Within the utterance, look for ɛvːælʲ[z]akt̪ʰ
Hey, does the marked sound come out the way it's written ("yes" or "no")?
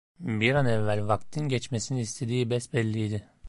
no